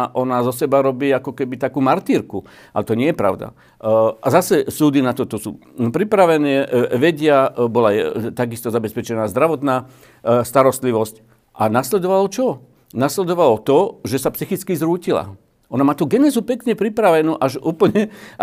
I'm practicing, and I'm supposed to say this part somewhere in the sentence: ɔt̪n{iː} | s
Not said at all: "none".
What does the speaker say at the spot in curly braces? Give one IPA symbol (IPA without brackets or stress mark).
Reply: aː